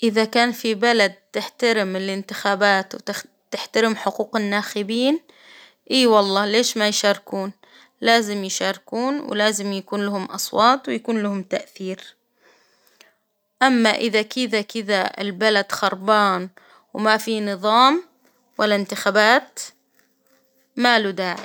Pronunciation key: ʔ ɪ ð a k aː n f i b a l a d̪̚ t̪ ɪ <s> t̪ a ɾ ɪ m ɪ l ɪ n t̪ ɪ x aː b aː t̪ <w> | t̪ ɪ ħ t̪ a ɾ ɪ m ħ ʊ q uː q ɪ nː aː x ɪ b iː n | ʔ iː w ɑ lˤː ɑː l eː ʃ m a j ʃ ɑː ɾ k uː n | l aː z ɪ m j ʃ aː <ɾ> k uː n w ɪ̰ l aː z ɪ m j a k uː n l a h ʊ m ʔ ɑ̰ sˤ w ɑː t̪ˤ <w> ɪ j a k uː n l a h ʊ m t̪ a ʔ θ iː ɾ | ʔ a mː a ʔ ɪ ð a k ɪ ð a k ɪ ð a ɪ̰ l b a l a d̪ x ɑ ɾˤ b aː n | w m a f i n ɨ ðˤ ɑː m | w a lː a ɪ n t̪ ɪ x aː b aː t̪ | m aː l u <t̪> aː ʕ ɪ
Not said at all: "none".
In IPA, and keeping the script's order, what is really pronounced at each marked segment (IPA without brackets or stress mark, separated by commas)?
ħ, w, ɾ, w, d̪